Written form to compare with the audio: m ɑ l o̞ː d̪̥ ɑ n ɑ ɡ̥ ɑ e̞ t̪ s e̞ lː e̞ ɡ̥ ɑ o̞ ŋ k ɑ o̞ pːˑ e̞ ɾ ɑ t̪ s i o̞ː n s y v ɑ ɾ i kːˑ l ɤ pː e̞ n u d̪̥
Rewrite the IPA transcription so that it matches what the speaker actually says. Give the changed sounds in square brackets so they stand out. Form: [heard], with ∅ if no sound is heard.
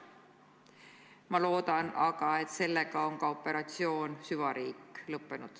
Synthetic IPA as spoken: m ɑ l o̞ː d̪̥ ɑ n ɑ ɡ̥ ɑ e̞ t̪ s e̞ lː e̞ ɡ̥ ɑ o̞ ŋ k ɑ o̞ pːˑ e̞ ɾ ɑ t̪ s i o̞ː n s y v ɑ ɾ [iː] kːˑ l ɤ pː e̞ n u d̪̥